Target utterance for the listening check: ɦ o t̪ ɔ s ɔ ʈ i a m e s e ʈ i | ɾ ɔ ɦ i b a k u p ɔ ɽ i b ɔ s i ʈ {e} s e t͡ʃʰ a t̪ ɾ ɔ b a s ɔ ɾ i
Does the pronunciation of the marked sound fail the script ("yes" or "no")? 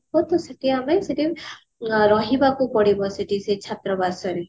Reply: yes